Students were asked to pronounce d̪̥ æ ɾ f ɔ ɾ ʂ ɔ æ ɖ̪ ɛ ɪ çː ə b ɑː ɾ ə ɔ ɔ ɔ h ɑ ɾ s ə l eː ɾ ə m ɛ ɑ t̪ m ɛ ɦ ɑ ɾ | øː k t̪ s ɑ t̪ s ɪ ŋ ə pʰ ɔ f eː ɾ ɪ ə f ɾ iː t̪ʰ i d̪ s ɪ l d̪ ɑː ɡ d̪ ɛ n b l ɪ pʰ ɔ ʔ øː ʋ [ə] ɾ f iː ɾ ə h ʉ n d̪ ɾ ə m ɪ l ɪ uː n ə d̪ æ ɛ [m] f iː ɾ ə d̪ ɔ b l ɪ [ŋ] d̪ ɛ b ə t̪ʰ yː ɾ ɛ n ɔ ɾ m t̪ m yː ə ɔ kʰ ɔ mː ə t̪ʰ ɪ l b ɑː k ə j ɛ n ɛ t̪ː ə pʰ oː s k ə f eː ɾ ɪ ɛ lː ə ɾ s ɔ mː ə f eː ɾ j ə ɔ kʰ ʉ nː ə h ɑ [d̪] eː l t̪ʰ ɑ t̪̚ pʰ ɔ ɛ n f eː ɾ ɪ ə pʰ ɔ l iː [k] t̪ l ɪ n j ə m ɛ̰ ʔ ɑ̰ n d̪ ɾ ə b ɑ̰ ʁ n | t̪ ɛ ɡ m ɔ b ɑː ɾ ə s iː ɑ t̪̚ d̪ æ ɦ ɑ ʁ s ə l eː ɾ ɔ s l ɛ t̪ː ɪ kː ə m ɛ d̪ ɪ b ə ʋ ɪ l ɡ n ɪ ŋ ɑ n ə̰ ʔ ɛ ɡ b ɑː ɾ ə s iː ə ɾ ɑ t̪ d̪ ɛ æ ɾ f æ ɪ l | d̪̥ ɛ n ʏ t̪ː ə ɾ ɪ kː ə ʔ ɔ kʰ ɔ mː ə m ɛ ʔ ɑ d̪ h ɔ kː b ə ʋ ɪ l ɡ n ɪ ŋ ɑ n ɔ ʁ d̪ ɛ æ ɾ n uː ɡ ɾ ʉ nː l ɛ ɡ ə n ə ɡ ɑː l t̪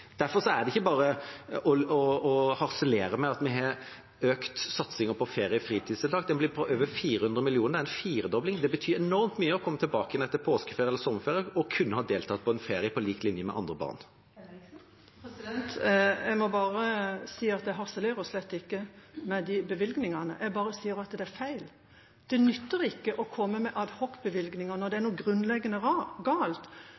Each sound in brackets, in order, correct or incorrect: correct, incorrect: n, correct, correct, correct

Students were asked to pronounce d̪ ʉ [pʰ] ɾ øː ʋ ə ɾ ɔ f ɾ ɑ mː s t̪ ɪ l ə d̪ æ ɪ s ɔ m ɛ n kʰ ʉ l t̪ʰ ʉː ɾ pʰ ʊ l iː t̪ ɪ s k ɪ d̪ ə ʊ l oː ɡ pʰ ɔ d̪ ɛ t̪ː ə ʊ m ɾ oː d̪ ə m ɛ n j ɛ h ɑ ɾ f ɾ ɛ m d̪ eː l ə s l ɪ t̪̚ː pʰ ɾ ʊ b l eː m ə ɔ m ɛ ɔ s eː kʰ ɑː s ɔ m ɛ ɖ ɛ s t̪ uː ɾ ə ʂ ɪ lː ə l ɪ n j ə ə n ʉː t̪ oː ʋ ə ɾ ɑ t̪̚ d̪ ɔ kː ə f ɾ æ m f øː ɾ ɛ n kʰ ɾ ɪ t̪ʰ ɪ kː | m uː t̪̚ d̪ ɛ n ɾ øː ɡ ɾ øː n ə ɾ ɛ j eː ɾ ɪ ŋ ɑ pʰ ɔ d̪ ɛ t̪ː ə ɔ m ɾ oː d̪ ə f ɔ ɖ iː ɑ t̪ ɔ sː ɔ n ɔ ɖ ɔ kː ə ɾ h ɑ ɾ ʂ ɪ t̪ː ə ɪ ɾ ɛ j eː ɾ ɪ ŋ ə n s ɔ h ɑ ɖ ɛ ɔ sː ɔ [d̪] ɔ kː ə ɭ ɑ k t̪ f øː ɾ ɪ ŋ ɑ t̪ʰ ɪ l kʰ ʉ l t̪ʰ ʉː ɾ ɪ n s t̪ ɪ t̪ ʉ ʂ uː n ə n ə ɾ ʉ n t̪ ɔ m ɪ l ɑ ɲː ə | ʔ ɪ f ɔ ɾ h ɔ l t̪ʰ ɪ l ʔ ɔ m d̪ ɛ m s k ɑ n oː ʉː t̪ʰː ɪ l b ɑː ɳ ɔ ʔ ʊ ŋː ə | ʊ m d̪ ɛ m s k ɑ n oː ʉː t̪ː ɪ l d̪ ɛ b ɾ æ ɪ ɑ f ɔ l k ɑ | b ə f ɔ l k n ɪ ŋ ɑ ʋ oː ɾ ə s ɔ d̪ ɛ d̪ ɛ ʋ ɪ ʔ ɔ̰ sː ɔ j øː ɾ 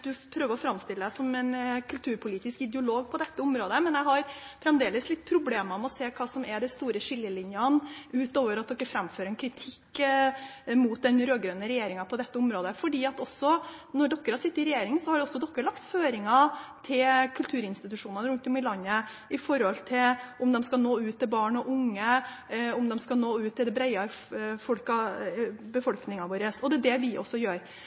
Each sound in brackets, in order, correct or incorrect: correct, correct

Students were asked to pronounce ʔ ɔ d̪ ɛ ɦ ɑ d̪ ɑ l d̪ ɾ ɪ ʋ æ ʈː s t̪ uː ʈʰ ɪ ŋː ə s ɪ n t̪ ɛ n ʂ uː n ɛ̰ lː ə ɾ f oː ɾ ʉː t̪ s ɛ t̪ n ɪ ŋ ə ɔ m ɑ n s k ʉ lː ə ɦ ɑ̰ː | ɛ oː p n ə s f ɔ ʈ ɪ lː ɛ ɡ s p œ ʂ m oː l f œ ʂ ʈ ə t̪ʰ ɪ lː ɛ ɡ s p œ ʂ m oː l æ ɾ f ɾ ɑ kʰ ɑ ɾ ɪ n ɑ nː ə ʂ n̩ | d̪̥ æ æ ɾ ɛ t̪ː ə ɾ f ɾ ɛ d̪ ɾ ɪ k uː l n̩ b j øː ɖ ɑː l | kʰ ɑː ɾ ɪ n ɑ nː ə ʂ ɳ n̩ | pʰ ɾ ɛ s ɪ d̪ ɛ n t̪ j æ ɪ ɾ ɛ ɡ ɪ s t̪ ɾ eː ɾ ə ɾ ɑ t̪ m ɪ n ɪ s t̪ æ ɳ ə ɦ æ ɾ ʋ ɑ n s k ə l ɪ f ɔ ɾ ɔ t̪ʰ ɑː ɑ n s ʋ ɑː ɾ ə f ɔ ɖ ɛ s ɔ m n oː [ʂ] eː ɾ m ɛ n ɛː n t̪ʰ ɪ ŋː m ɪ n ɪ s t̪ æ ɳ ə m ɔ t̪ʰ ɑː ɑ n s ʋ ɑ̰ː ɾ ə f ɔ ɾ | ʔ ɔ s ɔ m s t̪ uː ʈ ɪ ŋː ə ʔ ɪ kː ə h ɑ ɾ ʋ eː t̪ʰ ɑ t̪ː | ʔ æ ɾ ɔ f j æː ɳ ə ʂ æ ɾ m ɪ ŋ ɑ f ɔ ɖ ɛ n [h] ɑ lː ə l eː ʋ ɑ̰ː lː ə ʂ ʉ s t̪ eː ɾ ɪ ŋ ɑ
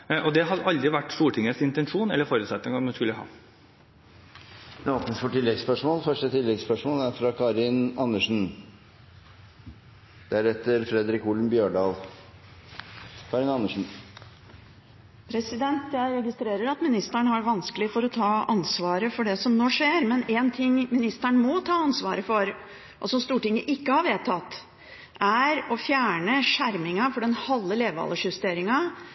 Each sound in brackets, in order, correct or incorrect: correct, correct

